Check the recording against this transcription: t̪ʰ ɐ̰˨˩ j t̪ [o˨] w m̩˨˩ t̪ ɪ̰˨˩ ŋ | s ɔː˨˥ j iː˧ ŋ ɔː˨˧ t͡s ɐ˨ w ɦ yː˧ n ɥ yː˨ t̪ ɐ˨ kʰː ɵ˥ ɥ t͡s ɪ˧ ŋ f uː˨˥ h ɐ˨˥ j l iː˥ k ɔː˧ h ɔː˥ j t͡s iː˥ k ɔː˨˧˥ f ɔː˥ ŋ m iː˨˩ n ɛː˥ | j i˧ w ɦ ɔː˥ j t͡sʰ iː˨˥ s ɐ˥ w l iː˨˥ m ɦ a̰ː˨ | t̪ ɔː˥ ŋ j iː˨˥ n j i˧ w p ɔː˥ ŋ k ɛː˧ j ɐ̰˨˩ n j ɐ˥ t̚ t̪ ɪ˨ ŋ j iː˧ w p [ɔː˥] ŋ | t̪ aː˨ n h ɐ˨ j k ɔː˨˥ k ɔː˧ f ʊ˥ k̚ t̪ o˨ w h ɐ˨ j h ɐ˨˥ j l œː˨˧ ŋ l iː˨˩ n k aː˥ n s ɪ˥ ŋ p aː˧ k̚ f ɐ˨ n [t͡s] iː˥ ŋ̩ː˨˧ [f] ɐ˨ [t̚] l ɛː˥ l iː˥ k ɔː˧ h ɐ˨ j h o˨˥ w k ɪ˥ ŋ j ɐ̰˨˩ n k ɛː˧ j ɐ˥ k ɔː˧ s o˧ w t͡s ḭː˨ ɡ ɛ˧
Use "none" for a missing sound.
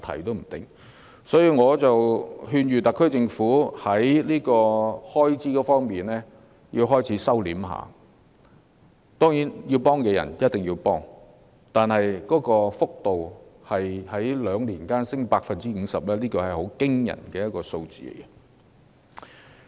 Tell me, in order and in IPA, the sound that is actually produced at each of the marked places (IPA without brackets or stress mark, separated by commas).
o˥, ɔː˥, t͡s, s, p̚